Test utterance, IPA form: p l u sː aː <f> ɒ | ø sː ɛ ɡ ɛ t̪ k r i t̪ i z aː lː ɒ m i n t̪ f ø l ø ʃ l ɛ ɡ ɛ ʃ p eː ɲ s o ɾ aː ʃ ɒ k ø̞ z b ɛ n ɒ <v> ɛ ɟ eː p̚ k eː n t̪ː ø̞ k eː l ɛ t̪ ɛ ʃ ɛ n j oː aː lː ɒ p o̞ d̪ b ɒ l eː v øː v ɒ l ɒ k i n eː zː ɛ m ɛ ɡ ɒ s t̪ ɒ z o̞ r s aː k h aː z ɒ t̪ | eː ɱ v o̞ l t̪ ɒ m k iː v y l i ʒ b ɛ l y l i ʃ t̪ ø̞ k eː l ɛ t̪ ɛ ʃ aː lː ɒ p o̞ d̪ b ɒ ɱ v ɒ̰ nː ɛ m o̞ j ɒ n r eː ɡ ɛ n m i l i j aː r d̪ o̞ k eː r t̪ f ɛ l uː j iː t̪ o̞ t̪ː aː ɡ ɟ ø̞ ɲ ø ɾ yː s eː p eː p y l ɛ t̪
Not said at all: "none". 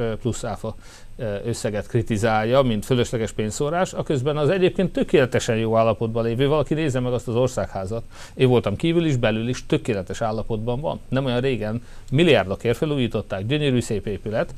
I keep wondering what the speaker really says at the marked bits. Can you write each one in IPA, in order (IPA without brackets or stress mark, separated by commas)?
f, z